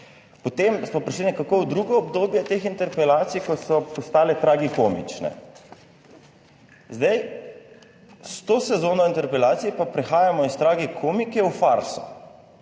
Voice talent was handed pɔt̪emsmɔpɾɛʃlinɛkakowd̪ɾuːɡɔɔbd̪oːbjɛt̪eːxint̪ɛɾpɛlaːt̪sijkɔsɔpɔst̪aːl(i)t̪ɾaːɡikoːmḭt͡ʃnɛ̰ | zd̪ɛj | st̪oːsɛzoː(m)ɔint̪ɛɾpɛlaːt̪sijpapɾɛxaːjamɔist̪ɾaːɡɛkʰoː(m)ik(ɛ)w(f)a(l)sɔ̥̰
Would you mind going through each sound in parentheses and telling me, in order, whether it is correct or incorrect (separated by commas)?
incorrect, incorrect, correct, correct, correct, incorrect